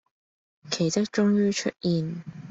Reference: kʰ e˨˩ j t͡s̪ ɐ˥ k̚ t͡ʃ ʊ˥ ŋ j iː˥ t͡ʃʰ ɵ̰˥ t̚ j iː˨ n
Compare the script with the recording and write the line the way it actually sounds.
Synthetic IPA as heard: kʰ e˨˩ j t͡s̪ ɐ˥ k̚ t͡ʃ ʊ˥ ŋ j yː˥ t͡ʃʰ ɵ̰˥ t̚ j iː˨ n